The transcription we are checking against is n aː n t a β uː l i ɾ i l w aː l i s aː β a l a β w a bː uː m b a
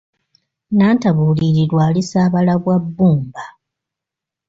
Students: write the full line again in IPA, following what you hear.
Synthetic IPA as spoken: n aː n t a β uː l i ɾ i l w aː l i s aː β a l a β w a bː uː m b a